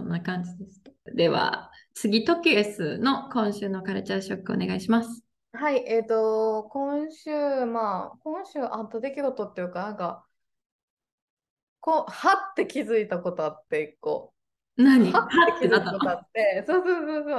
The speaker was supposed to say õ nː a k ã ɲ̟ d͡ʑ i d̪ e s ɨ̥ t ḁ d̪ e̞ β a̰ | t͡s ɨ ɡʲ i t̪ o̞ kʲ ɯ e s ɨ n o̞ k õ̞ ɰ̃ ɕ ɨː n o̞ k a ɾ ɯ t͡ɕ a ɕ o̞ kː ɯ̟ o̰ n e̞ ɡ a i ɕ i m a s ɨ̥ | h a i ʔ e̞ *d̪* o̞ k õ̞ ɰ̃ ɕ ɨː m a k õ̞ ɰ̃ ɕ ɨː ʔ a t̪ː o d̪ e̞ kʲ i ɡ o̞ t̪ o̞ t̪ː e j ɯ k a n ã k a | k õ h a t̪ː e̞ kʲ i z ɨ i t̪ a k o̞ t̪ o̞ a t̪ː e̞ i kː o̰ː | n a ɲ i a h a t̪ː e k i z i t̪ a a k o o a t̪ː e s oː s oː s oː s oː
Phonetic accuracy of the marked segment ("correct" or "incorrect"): incorrect